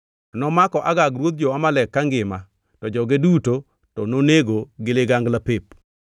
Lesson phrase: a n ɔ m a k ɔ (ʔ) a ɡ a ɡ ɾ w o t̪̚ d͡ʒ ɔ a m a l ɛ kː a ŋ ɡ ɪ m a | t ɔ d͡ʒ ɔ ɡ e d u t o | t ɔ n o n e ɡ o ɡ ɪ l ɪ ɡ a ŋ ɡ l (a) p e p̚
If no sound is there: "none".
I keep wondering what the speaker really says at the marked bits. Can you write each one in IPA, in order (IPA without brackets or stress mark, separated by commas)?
ʔ, a